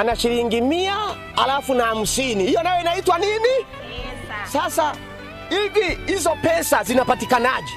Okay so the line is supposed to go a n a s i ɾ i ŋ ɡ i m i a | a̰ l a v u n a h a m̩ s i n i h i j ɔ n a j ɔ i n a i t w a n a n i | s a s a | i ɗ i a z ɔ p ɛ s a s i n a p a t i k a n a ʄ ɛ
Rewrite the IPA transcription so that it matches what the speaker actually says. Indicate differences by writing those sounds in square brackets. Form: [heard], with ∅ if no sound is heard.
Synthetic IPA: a n a [ʃ] i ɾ i ŋ ɡ i m i a | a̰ l a [f] u n a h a m̩ s i n i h i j ɔ n a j ɔ i n a i t w a n [i] n i | s a s a | i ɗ i [i] z ɔ p ɛ s a [z] i n a p a t i k a n a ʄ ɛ